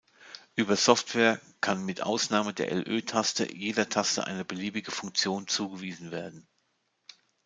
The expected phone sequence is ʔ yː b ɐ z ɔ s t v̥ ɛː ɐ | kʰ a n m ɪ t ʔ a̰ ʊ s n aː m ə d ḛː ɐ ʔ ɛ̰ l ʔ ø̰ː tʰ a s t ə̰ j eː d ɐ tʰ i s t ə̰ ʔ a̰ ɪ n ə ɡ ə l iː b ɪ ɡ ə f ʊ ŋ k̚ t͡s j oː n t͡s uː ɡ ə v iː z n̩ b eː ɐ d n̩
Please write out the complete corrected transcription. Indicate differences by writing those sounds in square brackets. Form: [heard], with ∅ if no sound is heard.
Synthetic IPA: ʔ yː b ɐ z ɔ [f] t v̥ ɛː ɐ | kʰ a n m ɪ t ʔ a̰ ʊ s n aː m ə d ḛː ɐ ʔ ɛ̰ l ʔ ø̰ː tʰ a s t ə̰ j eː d ɐ tʰ [a] s t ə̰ ʔ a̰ ɪ n ə [b] ə l iː b ɪ ɡ ə f ʊ ŋ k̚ t͡s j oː n t͡s uː ɡ ə v iː z n̩ [v] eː ɐ d n̩